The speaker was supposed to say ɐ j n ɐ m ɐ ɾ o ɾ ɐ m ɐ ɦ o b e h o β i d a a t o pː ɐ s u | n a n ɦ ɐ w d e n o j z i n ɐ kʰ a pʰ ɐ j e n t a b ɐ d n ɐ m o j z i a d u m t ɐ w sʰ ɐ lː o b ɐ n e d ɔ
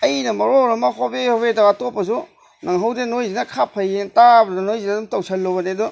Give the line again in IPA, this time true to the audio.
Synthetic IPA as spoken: ɐ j n ɐ m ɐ ɾ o ɾ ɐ m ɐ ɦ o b e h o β e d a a t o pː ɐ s u | n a ŋ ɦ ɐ w d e n o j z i n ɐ kʰ a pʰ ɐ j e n t a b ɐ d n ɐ n o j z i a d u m t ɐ w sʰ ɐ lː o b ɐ n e d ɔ